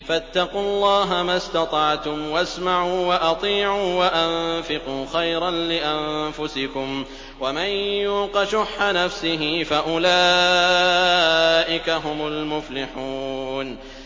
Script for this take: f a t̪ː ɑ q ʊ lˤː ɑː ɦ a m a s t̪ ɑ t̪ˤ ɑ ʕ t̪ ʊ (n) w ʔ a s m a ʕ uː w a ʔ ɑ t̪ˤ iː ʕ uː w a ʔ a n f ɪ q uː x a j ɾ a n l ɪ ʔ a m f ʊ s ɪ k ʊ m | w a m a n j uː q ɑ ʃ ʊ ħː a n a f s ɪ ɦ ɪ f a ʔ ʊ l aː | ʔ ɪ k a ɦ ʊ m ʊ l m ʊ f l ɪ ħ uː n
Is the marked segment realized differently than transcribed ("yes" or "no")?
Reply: yes